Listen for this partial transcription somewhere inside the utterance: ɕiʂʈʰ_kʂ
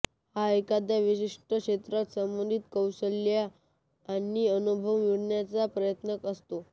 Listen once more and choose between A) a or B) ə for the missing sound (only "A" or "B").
B